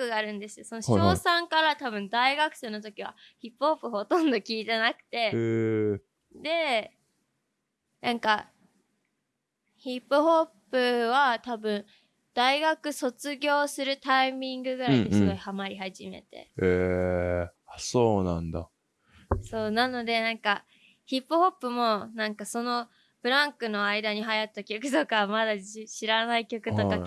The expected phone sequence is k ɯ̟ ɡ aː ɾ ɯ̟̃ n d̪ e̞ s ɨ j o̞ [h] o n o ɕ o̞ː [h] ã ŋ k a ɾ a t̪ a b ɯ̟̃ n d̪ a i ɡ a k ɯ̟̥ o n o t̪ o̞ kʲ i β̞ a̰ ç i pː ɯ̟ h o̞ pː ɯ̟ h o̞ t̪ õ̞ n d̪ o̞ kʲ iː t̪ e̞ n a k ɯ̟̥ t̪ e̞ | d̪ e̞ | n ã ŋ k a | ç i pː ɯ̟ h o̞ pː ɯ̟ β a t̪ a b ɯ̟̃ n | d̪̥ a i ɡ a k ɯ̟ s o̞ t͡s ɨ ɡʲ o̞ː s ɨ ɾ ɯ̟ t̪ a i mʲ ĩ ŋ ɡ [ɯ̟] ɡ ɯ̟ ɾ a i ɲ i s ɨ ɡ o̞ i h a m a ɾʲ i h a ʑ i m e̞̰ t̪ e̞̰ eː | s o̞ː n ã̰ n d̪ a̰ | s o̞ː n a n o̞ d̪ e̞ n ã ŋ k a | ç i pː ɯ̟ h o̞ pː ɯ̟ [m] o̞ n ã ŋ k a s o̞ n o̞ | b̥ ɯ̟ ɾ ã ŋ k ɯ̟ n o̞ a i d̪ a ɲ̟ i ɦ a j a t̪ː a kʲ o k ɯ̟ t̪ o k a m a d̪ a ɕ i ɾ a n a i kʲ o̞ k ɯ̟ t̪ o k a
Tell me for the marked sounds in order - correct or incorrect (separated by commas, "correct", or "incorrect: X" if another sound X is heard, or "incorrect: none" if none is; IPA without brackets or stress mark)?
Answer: incorrect: s, incorrect: s, correct, correct